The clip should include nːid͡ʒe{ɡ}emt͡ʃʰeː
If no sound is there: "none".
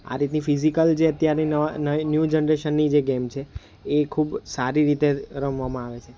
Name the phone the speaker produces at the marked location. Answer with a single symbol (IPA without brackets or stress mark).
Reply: ɡ